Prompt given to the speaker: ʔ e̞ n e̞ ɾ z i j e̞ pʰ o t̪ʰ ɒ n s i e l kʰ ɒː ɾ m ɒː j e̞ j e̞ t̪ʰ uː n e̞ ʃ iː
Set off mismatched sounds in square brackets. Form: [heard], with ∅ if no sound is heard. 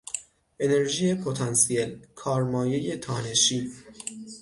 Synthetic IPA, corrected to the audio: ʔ e̞ n e̞ ɾ [ʒ] i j e̞ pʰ o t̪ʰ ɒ n s i e l kʰ ɒː ɾ m ɒː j e̞ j e̞ t̪ʰ [ɒː] n e̞ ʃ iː